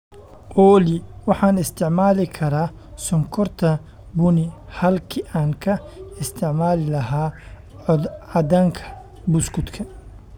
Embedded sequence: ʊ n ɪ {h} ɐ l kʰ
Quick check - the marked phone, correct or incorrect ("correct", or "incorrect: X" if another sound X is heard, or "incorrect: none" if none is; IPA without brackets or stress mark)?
correct